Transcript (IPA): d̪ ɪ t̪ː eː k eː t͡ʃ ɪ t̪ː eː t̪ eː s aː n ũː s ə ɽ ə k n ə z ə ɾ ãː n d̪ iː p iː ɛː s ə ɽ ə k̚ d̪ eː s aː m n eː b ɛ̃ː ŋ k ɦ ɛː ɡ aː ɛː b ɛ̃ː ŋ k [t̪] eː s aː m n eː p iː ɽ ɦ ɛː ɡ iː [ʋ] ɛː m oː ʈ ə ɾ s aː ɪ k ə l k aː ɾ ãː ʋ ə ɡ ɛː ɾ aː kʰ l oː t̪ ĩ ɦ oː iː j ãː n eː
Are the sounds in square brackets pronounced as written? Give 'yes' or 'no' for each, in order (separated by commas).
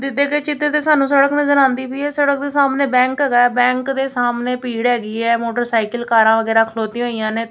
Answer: no, no